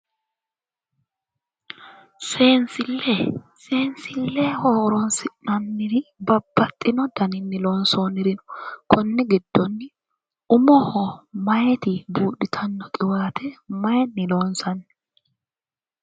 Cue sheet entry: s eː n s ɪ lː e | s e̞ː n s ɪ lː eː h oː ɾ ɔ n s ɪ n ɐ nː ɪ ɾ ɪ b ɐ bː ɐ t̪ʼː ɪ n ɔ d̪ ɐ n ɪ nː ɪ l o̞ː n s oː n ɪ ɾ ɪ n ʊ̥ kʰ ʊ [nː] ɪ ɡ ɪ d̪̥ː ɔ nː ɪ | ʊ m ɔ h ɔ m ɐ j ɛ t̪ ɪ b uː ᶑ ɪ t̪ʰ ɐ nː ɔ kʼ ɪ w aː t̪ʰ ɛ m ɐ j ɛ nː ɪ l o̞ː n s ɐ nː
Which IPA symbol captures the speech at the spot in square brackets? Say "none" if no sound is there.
nː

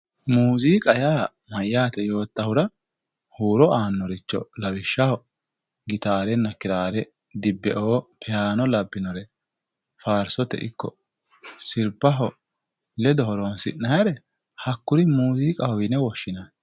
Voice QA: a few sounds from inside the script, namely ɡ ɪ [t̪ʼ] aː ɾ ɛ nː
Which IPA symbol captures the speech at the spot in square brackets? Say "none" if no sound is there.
t̪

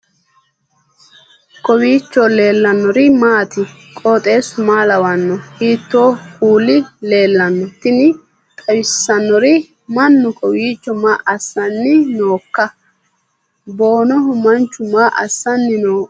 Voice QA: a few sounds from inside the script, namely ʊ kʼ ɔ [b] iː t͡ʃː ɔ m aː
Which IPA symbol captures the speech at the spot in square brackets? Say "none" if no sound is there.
w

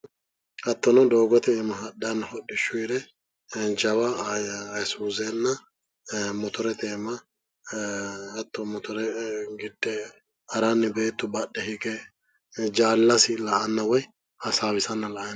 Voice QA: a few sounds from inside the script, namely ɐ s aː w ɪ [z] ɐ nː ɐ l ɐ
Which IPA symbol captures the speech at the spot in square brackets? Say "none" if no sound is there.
s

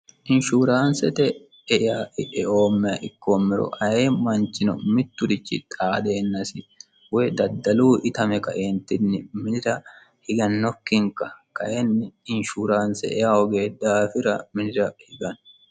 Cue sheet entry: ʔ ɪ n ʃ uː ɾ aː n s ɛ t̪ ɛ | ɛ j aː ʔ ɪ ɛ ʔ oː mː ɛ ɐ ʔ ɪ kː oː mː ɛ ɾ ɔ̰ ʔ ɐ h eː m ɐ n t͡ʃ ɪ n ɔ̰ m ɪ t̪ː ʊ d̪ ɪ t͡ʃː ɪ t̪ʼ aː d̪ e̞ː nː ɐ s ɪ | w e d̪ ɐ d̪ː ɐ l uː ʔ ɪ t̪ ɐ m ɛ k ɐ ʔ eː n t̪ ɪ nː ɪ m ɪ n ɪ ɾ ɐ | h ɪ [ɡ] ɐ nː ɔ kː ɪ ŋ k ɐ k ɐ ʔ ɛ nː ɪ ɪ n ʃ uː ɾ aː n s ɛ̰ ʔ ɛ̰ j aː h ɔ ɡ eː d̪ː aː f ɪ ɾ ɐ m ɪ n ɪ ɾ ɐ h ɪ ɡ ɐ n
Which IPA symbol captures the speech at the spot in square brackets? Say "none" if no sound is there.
ɡ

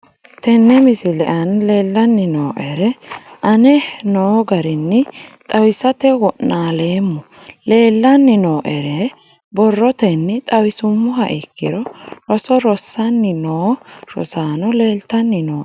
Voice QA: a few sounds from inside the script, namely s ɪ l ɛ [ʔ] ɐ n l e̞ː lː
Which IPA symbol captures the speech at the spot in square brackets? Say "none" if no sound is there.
ʔ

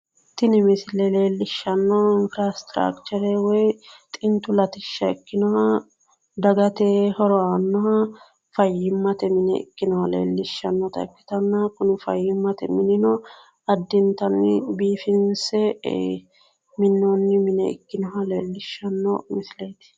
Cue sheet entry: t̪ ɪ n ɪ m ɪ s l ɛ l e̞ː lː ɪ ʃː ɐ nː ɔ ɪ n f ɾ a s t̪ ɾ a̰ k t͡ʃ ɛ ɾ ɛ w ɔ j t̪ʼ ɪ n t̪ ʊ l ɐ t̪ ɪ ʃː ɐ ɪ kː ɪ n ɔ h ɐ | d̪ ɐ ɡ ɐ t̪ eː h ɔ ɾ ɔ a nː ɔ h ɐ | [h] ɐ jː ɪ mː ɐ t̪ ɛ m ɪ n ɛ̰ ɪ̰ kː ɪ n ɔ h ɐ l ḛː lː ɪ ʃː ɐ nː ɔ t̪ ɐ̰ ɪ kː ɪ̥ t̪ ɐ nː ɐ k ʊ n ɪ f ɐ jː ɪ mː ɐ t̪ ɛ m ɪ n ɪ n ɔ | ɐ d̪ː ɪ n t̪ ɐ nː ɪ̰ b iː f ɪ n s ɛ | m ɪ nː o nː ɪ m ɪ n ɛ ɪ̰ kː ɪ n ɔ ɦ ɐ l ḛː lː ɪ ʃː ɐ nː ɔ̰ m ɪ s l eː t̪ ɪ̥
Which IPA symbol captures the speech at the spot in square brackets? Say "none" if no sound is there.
f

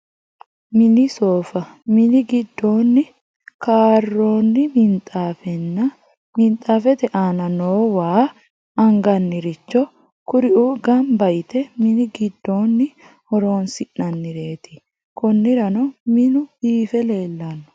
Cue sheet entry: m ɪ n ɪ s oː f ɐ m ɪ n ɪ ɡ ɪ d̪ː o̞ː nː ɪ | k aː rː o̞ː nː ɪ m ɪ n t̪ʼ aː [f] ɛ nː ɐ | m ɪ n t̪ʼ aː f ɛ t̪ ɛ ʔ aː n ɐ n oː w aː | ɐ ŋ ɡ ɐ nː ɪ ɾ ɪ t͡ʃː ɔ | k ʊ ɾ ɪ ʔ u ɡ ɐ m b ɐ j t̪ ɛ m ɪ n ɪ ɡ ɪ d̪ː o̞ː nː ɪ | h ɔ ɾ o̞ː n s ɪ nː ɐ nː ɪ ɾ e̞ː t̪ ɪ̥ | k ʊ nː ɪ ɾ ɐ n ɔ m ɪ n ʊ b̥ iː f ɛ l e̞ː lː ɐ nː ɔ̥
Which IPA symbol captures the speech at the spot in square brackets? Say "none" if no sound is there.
f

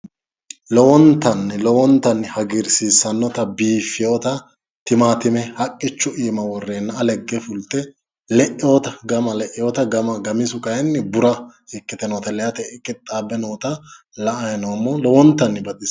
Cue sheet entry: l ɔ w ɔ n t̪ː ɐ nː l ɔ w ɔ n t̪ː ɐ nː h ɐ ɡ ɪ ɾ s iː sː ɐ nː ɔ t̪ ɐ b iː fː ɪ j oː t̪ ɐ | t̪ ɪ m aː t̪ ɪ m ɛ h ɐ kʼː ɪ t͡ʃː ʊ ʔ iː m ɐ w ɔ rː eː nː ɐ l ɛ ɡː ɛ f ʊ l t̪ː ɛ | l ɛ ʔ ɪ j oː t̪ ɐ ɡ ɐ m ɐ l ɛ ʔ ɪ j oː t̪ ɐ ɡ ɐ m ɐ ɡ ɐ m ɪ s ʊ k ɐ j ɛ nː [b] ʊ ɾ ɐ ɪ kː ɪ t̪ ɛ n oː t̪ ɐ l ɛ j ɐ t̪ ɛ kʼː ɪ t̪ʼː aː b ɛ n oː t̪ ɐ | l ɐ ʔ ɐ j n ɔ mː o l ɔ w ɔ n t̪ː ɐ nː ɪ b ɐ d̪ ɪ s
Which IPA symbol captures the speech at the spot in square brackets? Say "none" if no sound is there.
b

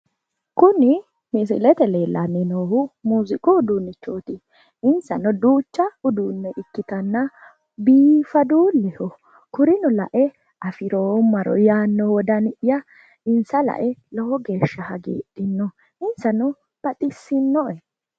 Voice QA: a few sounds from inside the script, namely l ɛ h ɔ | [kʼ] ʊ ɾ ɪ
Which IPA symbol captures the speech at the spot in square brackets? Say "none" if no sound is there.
k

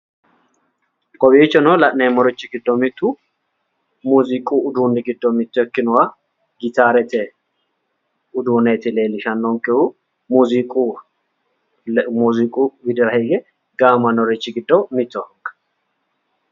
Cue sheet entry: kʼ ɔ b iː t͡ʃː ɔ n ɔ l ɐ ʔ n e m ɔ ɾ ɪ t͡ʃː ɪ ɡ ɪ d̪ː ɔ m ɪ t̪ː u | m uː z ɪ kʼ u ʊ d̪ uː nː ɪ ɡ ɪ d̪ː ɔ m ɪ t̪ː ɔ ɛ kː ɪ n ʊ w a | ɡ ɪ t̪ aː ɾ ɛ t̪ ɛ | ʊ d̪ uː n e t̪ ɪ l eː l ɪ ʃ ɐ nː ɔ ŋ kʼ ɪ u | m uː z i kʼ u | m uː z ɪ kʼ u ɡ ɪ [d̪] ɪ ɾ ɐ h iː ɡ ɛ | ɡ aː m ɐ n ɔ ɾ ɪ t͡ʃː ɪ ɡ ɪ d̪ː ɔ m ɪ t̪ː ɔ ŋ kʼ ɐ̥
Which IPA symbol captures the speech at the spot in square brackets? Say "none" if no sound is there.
d̪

